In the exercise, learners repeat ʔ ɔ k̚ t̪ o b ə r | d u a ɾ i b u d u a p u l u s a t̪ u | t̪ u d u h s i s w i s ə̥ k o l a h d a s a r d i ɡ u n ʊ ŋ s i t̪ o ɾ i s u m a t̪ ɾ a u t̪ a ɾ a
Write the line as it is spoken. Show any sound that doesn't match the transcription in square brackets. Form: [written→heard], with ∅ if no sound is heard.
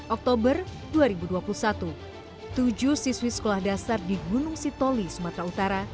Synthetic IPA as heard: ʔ ɔ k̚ t̪ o b ə r | d u a ɾ i b u d u a p u l u s a t̪ u | t̪ u [d→d͡ʒ] u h s i s w i s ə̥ k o l a h d a s a r d i ɡ u n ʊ ŋ s i t̪ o [ɾ→l] i s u m a t̪ ɾ a u t̪ a ɾ a